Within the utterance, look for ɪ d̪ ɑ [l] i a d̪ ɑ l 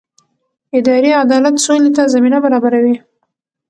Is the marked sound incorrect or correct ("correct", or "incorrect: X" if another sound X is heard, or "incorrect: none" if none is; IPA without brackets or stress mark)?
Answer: incorrect: ɾ